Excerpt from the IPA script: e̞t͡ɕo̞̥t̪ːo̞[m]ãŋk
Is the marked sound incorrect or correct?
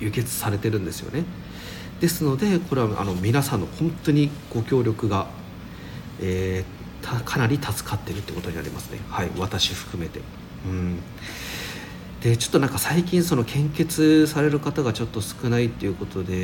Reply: incorrect